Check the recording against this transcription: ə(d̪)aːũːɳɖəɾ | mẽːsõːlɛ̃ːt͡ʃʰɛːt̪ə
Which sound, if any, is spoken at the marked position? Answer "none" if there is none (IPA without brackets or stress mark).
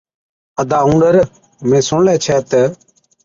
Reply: d̪